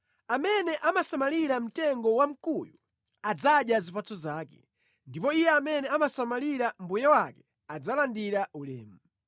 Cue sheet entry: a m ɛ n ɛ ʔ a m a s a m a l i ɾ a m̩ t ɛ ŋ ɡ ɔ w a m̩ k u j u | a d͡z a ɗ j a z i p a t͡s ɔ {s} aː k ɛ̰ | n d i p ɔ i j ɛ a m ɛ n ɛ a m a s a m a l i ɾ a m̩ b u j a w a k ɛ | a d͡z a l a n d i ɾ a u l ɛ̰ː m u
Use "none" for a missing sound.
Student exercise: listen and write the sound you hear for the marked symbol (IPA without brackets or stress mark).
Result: z